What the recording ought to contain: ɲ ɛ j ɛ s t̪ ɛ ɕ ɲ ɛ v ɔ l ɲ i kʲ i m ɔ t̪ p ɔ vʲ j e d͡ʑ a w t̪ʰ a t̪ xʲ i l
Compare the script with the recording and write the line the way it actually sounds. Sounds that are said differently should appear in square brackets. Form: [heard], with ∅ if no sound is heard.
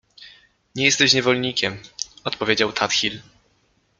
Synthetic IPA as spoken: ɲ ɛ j ɛ s t̪ ɛ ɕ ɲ ɛ v ɔ l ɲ i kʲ [ɛ] m ɔ t̪ p ɔ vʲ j e d͡ʑ a w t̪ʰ a t̪ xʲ i l